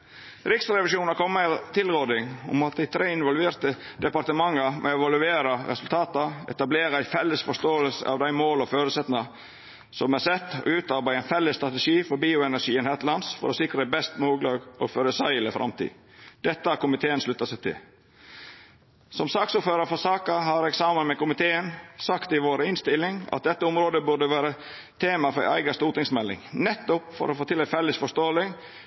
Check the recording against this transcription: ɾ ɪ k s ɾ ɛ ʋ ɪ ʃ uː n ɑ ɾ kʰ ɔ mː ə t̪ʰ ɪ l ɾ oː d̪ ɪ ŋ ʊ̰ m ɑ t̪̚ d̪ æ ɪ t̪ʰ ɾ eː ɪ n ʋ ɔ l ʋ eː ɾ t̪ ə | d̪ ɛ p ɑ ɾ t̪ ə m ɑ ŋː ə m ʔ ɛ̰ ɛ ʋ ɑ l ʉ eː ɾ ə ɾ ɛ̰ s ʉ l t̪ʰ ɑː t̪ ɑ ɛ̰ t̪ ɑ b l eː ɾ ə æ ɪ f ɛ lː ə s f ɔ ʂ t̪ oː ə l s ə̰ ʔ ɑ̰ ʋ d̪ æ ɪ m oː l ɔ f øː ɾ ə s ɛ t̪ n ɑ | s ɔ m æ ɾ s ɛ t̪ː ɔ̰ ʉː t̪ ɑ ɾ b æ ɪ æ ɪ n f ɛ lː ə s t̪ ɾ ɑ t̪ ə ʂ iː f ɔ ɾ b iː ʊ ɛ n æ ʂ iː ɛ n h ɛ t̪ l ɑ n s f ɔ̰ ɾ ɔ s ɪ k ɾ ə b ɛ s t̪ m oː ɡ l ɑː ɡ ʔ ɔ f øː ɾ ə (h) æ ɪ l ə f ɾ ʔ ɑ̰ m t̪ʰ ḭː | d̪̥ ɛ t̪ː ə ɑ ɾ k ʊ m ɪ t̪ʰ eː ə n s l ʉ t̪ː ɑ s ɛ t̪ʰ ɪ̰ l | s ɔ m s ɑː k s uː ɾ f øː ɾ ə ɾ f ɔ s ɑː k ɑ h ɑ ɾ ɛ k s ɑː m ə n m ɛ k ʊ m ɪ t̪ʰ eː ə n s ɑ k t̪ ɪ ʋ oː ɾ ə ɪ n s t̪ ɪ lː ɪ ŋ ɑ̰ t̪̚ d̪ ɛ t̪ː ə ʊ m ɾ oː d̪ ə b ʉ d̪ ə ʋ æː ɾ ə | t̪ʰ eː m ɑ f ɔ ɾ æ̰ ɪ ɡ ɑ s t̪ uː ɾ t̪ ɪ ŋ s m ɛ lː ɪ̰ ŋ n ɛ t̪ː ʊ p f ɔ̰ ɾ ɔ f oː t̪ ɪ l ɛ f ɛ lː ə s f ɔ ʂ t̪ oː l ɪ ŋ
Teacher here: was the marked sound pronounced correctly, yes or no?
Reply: no